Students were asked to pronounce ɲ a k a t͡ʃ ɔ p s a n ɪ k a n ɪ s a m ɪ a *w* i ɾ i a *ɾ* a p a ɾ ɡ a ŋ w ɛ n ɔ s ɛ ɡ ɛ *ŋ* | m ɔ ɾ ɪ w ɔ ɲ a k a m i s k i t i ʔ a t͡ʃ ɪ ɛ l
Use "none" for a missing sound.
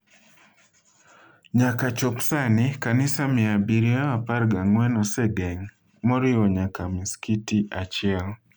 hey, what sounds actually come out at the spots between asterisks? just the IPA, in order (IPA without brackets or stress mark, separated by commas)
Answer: b, none, ŋ